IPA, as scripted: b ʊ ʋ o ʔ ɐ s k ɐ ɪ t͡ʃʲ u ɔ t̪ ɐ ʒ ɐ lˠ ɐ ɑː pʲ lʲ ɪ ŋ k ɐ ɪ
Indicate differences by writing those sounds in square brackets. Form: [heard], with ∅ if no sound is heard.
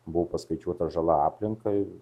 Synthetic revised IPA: b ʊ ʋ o [p] ɐ s k ɐ ɪ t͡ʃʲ u ɔ t̪ ɐ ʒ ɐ lˠ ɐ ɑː pʲ lʲ ɪ ŋ k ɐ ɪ